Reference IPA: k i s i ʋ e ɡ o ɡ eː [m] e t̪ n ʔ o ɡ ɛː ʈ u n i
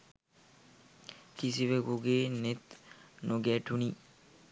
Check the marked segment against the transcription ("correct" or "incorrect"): incorrect